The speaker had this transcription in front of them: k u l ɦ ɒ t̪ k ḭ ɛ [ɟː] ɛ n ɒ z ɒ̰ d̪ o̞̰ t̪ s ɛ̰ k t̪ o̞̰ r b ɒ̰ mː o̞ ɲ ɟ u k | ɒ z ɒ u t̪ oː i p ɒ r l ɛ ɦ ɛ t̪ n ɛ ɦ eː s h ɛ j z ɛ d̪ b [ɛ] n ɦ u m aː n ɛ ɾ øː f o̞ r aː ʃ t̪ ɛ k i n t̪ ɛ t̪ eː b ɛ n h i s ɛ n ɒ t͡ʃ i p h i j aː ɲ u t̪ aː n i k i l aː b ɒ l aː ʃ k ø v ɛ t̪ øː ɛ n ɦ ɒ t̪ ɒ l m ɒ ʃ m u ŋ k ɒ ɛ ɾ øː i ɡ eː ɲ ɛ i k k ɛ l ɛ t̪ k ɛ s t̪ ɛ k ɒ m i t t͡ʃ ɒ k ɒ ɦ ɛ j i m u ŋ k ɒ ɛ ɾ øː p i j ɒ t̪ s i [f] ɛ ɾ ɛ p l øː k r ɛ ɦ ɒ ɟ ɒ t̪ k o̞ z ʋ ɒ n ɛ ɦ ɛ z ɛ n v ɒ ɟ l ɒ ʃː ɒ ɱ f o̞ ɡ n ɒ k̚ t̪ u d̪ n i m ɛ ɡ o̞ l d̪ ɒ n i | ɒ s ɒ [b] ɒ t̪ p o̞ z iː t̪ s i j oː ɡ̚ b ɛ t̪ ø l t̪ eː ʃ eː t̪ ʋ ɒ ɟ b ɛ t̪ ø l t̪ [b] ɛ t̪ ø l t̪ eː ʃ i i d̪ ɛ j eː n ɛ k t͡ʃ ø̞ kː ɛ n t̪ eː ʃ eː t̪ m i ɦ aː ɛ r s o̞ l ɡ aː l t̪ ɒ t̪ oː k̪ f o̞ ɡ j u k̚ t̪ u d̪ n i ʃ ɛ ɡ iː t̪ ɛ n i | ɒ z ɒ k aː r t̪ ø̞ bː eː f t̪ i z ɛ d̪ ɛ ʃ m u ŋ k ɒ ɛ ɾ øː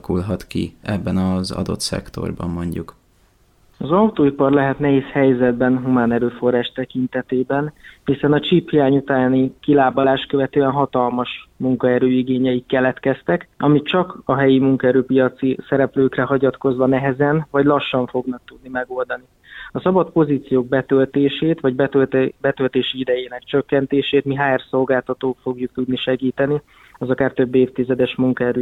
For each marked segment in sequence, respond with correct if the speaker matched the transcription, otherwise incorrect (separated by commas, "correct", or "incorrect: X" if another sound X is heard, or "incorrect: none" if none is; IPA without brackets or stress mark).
incorrect: bː, correct, incorrect: s, correct, correct